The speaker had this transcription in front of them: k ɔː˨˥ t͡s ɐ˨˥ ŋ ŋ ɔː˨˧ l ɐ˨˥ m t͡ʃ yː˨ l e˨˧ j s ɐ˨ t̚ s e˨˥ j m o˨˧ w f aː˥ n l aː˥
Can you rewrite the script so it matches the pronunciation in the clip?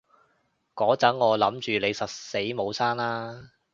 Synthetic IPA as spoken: k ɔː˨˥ t͡s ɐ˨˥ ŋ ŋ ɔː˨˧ l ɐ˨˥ m t͡ʃ yː˨ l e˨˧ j s ɐ˨ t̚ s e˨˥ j m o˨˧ w s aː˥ n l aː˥